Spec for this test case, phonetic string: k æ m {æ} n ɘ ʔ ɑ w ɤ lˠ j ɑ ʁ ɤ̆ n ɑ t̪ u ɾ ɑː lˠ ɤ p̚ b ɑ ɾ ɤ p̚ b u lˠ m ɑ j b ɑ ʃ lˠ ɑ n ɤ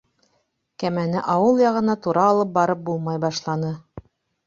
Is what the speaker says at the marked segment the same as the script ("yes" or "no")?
yes